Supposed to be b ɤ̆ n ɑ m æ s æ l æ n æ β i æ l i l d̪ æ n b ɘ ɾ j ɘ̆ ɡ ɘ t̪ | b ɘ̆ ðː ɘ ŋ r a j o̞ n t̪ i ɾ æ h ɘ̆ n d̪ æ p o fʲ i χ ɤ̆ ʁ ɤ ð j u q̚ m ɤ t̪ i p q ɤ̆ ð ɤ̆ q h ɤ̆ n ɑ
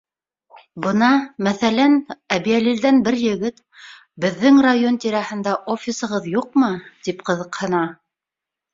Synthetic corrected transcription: b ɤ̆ n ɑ m æ θ æ l æ n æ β i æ l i l d̪ æ n b ɘ ɾ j ɘ̆ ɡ ɘ t̪ | b ɘ̆ ðː ɘ ŋ r a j o̞ n t̪ i ɾ æ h ɘ̆ n d̪ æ ʔ o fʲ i s ɤ̆ ʁ ɤ ð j u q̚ m ɤ t̪ i p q ɤ̆ ð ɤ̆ q h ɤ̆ n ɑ

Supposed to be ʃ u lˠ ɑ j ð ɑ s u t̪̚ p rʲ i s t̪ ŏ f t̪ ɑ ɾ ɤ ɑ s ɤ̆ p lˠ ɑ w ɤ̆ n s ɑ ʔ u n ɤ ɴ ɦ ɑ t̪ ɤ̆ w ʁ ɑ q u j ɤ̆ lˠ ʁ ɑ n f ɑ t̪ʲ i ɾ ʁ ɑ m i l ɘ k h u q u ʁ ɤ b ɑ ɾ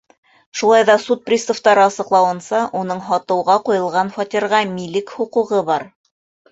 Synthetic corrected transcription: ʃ u lˠ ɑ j ð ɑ s u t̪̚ p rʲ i s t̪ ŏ f t̪ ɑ ɾ ɤ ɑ s ɤ̆ q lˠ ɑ w ɤ̆ n s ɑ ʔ u n ɤ ɴ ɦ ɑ t̪ ɤ̆ w ʁ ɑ q u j ɤ̆ lˠ ʁ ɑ n f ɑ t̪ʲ i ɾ ʁ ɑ m i l ɘ k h u q u ʁ ɤ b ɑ ɾ

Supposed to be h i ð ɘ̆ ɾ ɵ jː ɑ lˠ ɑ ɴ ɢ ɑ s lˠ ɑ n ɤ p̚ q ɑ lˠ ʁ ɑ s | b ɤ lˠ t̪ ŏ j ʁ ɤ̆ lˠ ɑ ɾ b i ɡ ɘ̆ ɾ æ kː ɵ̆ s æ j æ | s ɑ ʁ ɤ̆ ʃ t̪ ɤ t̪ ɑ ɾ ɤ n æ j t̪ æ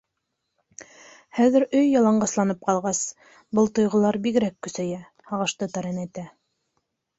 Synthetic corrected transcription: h æ ð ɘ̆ ɾ ɵ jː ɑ lˠ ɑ ɴ ɢ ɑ s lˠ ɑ n ɤ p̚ q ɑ lˠ ʁ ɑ s | b ɤ lˠ t̪ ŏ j ʁ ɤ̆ lˠ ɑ ɾ b i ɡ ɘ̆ ɾ æ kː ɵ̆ s æ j æ | h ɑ ʁ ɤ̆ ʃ t̪ ɤ t̪ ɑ ɾ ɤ n æ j t̪ æ

